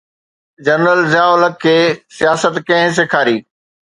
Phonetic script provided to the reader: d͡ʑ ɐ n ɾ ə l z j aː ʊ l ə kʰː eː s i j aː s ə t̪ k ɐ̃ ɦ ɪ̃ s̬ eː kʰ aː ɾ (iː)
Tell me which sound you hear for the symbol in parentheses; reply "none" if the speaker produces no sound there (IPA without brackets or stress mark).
iː